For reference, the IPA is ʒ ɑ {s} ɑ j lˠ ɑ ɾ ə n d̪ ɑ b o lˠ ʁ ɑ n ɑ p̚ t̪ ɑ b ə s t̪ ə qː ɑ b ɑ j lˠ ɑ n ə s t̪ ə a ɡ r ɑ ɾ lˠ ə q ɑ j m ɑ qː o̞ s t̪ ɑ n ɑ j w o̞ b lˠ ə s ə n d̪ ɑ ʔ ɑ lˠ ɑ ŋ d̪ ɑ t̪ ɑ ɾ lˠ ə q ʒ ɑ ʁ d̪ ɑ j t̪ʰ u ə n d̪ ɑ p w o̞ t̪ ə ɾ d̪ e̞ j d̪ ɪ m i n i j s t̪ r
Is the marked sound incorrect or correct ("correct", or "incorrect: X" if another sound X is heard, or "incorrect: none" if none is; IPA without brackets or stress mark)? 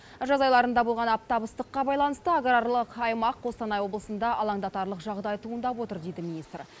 incorrect: z